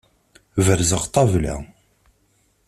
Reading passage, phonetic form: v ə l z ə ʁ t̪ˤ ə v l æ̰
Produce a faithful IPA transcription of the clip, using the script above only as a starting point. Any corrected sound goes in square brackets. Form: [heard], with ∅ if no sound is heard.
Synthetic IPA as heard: v ə [ɾ] z ə ʁ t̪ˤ [ɑ] v l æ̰